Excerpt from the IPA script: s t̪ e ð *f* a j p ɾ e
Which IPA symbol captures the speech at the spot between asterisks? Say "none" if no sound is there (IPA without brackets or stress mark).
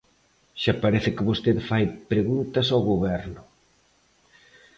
f